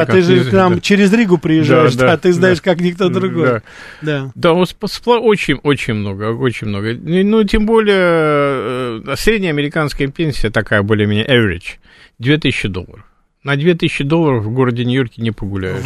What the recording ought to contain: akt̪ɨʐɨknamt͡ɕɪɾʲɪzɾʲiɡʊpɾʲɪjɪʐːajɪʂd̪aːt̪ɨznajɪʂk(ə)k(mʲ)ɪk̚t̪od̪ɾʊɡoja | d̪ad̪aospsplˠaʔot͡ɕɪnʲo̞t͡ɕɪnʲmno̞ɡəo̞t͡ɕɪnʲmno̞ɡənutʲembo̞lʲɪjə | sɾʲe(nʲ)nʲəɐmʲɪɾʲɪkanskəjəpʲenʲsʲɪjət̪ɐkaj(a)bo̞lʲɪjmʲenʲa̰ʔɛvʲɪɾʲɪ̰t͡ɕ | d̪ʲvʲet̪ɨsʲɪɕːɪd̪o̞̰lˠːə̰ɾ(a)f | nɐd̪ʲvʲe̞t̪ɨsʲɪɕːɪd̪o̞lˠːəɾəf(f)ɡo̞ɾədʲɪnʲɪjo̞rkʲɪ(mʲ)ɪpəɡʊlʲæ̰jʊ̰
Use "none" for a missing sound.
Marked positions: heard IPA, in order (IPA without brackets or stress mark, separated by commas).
a, nʲ, dʲ, ə, ə, v, nʲ